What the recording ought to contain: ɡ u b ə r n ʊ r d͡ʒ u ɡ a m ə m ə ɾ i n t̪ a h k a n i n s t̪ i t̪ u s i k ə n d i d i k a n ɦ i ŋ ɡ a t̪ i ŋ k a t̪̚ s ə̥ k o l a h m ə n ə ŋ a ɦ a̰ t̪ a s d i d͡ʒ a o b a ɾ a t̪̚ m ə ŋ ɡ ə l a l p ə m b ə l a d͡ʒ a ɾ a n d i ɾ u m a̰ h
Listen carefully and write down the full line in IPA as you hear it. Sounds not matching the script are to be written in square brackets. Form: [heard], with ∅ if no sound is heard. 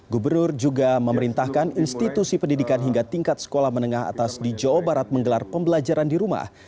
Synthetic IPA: ɡ u b ə r n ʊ r d͡ʒ u ɡ a m ə m ə ɾ i n t̪ a h k a n i n s t̪ i t̪ u s i [p] ə n d i d i k a n ɦ i ŋ ɡ a t̪ i ŋ k a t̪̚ s ə̥ k o l a h m ə n ə ŋ a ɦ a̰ t̪ a s d i d͡ʒ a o b a ɾ a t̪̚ m ə ŋ ɡ ə l a [r] p ə m b ə l a d͡ʒ a ɾ a n d i ɾ u m a̰ h

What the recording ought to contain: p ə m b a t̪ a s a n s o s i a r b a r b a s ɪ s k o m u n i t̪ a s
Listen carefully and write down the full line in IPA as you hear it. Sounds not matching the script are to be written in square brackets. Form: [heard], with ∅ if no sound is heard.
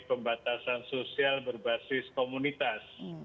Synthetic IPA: p ə m b a t̪ a s a n s o s i a [l] b [ə] r b a s ɪ s k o m u n i t̪ a s

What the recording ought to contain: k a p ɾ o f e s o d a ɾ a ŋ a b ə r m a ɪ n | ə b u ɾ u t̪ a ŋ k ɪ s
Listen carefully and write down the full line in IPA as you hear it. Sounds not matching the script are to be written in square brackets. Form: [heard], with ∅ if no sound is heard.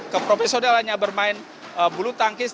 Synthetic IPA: k [ə] p ɾ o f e s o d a [l] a [ɲ] a b ə r m a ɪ n | ə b u [l] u t̪ a ŋ k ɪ s

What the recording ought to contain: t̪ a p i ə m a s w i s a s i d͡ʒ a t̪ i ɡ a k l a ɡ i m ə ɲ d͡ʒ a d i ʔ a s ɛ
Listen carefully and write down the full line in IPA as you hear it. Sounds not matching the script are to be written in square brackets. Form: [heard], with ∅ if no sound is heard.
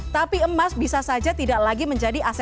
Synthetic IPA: t̪ a p i ə m a s [b] i s a s [a] d͡ʒ a t̪ i [d] a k l a ɡ i m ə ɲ d͡ʒ a d i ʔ a s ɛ

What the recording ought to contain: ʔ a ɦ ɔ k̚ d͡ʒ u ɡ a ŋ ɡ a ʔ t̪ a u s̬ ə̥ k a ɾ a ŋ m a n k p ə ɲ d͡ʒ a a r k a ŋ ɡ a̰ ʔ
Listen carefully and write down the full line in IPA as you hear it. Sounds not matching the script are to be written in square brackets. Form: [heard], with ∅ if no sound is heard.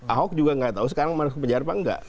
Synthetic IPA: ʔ a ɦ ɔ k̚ d͡ʒ u ɡ a ŋ ɡ a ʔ t̪ a u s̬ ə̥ k a ɾ a ŋ m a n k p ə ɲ d͡ʒ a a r [p] a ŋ ɡ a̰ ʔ

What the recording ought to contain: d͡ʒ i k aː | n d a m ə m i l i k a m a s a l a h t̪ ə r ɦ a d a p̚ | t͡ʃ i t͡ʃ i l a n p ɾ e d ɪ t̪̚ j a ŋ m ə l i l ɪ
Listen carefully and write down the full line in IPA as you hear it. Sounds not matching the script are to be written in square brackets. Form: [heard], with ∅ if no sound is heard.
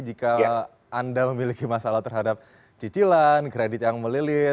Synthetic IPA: d͡ʒ i k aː | n d a m ə m i l i k [i] m a s a l a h t̪ ə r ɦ a d a p̚ | t͡ʃ i t͡ʃ i l a n [k] ɾ e d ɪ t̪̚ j a ŋ m ə l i l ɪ

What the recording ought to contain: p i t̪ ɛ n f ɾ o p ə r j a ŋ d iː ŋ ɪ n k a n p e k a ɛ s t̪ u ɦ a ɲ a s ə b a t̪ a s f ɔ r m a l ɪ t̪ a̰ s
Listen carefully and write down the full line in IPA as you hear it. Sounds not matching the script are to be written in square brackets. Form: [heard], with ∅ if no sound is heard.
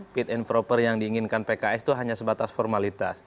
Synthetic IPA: p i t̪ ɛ n f ɾ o p ə r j a ŋ d iː ŋ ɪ n k a n p e k a ɛ s t̪ u ɦ a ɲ a s ə b a t̪ a s f ɔ r m a l [i] t̪ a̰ s

